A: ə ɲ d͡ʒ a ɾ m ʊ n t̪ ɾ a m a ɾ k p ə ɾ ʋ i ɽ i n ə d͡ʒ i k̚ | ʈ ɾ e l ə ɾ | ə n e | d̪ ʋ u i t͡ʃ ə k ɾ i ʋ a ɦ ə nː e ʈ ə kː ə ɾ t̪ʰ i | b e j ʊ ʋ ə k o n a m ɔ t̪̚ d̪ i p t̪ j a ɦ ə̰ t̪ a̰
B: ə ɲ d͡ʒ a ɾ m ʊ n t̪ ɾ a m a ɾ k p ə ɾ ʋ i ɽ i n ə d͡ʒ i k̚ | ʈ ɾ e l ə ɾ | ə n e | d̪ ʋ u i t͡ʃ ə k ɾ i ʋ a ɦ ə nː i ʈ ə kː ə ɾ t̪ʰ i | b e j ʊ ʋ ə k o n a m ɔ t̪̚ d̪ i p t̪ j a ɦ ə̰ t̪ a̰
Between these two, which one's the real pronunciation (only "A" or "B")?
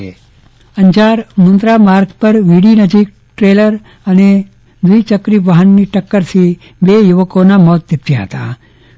B